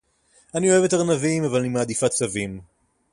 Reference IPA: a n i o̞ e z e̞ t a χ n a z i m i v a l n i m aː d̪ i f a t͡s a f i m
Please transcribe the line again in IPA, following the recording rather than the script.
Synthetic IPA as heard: a n i o̞ e v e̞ t a ʁ n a v i m a v a l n i m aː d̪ i f a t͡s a v i m